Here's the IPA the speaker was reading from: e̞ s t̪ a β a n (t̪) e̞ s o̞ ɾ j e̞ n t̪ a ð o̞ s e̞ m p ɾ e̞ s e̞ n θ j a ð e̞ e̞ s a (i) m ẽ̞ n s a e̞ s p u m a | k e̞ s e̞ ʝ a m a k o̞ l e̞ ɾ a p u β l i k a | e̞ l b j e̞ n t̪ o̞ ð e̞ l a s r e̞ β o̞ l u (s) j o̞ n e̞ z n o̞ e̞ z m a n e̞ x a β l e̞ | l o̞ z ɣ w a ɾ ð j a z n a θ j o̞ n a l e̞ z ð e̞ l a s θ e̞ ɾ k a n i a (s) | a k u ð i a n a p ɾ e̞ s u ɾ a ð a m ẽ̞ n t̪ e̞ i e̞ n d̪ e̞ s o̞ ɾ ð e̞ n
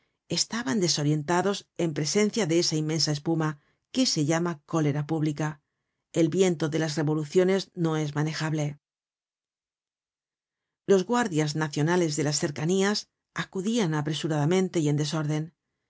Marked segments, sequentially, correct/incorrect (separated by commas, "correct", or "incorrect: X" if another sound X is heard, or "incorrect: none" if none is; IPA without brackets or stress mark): incorrect: d̪, correct, incorrect: θ, correct